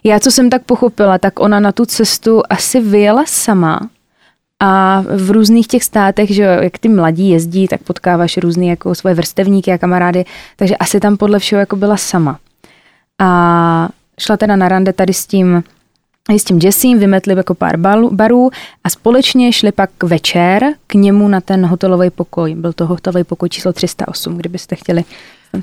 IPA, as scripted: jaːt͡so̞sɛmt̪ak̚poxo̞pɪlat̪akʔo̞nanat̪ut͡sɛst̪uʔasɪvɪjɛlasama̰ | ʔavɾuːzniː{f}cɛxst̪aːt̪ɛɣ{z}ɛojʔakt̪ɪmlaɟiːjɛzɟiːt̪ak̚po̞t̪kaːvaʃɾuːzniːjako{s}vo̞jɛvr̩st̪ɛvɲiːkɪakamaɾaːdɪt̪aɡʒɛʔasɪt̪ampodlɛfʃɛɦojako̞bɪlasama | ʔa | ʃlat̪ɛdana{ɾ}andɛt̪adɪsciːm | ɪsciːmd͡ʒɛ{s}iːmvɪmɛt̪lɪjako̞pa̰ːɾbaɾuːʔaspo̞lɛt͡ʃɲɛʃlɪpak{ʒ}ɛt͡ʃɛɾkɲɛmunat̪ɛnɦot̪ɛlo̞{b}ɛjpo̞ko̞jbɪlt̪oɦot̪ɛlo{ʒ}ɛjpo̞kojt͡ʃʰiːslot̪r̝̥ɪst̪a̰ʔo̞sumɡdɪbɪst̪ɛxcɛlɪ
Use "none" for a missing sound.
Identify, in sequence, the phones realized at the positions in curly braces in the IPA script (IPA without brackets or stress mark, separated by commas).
x, ʒ, s, ɾ, s, v, v, v